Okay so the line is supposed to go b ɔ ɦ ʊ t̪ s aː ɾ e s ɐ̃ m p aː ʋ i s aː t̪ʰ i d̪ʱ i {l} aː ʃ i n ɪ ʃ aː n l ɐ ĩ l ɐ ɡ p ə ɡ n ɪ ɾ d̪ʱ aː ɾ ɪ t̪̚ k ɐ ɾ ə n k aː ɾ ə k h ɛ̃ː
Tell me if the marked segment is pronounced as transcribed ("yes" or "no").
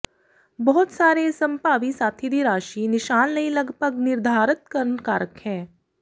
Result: no